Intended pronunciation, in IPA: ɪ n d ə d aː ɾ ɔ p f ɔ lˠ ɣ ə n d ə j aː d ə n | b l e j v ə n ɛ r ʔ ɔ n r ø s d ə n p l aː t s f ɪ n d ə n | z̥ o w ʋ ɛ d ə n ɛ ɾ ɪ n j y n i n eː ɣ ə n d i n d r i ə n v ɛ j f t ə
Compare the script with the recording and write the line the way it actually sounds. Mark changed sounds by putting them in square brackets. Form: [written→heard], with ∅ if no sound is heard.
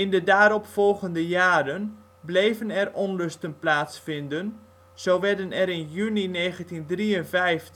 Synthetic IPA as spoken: ɪ n d ə d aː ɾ ɔ p f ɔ lˠ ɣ ə n d ə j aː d ə n | b l e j v ə n ɛ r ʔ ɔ n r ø s [d→t] ə n p l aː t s f ɪ n d ə n | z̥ o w ʋ ɛ d ə n ɛ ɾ ɪ n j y n i n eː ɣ ə n [d→t] i n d r i ə n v ɛ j f t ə